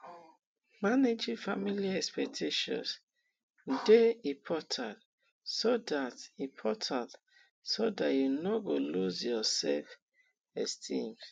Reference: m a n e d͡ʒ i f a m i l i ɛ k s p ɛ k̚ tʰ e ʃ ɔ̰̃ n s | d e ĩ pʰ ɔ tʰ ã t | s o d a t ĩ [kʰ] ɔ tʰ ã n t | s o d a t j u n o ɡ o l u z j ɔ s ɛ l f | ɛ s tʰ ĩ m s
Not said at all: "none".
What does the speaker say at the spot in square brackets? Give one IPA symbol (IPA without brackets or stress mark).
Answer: pʰ